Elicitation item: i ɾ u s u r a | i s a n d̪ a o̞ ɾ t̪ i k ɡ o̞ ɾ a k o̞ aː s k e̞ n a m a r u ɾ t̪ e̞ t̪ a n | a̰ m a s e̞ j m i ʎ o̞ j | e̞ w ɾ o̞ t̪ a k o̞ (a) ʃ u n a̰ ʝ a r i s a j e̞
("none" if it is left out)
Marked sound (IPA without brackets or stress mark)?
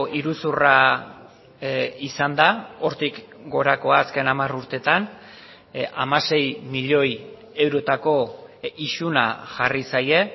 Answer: i